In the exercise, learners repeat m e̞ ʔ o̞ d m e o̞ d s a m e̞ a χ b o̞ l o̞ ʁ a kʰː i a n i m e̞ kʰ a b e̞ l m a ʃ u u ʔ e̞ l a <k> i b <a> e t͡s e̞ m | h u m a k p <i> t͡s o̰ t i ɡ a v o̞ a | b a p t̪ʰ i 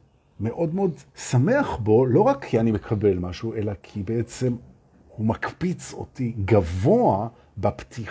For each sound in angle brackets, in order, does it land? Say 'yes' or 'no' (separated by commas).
no, no, yes